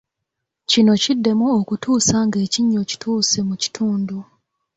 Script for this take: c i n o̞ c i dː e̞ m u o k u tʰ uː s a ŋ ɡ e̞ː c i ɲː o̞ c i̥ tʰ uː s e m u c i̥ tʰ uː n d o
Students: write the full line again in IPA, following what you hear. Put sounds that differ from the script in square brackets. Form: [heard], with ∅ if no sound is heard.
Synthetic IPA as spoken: c i n o̞ c i dː e̞ m u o k u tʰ uː s a ŋ ɡ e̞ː c i ɲː o̞ c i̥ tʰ uː s e m u c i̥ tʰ uː n d [u]